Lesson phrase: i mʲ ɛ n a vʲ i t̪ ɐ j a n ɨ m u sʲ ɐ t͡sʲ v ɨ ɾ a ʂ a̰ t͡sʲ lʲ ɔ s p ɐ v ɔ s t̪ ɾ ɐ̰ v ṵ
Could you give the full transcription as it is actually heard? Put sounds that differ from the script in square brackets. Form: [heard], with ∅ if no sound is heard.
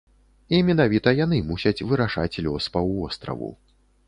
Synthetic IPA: i mʲ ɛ n a vʲ i t̪ ɐ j a n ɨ m u sʲ ɐ t͡sʲ v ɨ ɾ a ʂ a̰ t͡sʲ lʲ ɔ s p ɐ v ɔ s t̪ ɾ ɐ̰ v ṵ